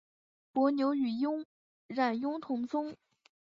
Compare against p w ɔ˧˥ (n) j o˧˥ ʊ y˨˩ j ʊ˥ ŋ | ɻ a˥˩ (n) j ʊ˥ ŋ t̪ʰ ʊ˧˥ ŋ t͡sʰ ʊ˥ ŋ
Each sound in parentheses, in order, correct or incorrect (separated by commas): correct, correct